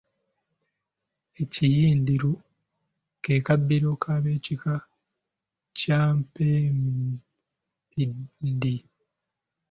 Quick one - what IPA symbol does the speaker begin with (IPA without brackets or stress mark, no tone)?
e